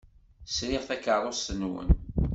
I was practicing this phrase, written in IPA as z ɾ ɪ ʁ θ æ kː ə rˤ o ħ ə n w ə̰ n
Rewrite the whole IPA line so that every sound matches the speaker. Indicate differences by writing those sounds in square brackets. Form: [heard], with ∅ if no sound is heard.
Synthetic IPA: [s] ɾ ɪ ʁ θ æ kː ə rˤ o [s] ə n w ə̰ n